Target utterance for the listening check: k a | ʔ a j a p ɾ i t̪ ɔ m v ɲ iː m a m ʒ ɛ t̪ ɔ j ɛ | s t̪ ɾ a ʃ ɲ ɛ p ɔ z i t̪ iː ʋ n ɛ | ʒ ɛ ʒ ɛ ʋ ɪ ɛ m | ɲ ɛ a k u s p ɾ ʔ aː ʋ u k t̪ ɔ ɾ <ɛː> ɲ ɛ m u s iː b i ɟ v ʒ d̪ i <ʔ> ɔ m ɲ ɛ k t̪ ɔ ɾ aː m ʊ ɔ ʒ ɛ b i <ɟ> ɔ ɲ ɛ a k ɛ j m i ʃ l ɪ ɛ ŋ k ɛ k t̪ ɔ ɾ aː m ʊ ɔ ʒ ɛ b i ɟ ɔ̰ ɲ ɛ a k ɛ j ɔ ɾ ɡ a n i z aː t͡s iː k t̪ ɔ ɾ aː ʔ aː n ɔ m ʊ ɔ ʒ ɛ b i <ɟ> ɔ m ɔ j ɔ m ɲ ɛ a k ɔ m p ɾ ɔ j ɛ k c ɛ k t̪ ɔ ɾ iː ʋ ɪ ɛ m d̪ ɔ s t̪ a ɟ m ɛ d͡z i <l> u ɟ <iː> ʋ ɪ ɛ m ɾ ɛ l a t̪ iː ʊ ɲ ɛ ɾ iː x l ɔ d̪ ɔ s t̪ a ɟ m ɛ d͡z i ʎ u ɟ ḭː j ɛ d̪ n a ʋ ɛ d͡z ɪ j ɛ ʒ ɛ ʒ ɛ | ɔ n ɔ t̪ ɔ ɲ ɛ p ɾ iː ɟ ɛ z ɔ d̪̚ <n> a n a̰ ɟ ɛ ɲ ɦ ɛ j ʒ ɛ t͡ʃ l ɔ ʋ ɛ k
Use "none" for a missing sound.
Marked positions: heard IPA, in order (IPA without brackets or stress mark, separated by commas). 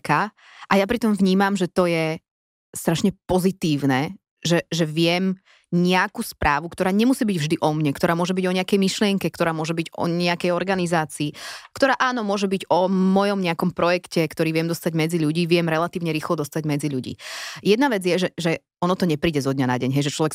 aː, ʔ, ɟ, ɟ, ʎ, iː, ɲ